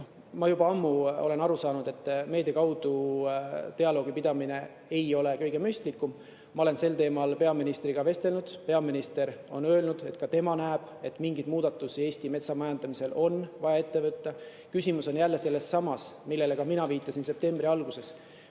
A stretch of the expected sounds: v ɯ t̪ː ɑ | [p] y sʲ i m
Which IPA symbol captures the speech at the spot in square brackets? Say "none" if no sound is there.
k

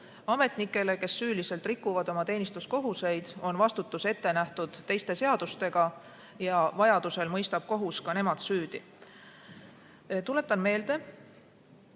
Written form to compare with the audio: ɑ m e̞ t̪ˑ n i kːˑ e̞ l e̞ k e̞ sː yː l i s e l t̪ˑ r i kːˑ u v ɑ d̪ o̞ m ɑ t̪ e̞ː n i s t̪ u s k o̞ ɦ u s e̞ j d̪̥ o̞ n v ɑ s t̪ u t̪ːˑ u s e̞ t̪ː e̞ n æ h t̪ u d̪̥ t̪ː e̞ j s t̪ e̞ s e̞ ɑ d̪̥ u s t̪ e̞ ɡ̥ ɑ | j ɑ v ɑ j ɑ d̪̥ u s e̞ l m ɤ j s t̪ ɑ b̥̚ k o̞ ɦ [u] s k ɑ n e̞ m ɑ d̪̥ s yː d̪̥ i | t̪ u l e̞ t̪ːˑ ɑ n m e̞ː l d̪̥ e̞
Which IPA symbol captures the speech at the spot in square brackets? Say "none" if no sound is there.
u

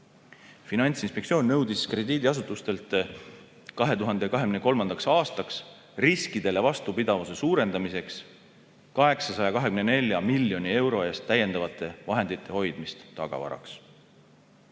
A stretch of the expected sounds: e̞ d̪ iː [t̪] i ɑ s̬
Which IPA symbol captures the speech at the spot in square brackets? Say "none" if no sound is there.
d̪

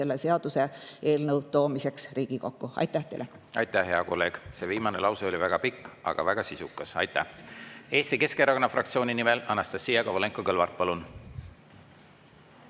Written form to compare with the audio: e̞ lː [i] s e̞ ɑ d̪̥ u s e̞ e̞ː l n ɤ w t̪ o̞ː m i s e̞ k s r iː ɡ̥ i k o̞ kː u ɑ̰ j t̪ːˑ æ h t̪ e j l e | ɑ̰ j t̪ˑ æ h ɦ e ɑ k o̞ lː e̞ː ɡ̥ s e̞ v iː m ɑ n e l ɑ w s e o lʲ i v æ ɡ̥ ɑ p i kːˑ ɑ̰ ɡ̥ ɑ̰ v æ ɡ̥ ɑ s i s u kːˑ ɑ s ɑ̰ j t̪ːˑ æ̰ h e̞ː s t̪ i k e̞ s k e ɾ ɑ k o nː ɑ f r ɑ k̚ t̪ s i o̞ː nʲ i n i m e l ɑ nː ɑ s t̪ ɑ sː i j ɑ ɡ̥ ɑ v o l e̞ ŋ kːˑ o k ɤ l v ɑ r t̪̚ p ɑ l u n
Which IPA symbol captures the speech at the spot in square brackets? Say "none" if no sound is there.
e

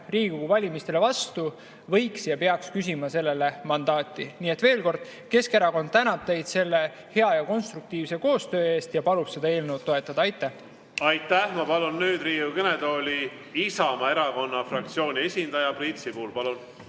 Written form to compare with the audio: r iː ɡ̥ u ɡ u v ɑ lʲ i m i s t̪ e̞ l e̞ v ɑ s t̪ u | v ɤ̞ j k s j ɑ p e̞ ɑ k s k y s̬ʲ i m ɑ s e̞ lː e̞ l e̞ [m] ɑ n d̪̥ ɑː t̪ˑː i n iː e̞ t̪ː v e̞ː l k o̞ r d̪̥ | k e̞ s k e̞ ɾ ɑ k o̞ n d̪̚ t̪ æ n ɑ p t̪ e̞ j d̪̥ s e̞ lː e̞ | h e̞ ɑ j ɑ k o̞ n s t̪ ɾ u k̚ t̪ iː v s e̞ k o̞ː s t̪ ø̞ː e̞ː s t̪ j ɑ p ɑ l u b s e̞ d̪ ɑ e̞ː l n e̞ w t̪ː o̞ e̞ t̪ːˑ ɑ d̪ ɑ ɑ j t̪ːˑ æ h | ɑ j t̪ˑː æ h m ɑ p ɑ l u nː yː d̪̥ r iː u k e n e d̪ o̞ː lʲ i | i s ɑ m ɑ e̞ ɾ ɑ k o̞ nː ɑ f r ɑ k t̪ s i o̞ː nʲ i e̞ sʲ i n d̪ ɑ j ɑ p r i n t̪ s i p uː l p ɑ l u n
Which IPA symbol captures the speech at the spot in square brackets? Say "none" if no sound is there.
m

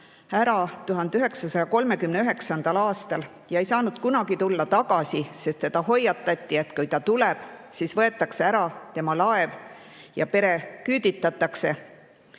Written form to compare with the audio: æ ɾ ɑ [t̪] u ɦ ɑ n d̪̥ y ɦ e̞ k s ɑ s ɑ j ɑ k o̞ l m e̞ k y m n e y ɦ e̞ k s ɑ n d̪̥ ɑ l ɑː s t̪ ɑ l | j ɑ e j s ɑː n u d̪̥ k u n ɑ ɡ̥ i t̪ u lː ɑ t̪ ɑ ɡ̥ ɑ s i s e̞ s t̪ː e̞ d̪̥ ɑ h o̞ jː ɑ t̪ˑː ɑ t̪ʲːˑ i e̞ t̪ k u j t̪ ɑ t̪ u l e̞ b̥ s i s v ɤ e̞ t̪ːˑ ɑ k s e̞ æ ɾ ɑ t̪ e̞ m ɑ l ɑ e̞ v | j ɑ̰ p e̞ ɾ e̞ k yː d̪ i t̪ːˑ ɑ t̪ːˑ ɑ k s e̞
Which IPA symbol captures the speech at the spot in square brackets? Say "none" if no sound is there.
t̪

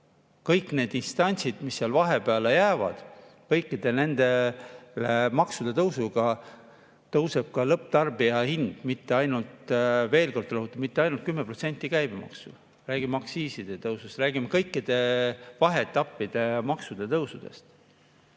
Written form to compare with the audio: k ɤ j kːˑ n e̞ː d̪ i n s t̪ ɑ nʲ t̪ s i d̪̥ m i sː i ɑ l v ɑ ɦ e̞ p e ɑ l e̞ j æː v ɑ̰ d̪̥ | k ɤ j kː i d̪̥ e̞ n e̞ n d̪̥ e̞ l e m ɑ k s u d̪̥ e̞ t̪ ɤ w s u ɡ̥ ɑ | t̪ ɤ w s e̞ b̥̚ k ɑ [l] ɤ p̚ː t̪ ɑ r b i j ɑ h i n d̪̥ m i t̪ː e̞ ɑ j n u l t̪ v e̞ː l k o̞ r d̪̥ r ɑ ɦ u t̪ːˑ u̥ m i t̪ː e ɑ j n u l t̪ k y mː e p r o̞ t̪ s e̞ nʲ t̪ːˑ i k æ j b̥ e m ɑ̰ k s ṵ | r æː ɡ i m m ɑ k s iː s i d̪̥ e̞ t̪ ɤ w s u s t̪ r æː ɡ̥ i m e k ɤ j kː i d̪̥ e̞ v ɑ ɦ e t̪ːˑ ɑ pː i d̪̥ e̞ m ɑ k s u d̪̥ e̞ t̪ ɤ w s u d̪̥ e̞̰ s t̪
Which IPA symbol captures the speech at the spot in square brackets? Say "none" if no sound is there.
l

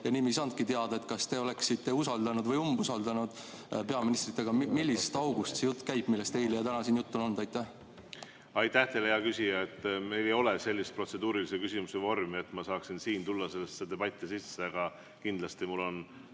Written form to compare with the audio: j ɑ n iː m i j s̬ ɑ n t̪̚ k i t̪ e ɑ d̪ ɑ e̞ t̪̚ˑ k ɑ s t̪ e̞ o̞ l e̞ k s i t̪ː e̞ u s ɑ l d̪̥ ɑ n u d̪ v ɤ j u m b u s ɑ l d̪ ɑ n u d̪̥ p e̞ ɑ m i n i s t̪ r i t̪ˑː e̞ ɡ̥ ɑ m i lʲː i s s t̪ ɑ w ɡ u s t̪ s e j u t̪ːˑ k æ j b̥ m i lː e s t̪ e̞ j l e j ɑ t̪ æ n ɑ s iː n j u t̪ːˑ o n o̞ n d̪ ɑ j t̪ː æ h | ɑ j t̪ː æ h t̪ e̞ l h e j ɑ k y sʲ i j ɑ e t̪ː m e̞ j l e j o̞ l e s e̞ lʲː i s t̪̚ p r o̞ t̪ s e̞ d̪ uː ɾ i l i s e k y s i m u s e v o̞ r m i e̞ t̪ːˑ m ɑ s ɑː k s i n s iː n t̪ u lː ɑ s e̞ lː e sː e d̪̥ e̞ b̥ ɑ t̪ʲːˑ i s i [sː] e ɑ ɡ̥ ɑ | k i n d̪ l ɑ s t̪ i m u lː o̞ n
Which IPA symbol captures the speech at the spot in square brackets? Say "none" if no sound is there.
sː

